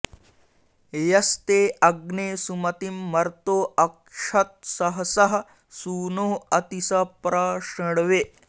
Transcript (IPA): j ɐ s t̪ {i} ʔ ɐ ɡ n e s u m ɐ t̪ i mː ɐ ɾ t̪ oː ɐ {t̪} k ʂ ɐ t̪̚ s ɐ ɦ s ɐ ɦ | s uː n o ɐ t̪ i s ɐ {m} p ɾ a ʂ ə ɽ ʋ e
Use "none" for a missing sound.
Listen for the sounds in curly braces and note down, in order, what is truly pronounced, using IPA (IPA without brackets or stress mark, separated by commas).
e, none, none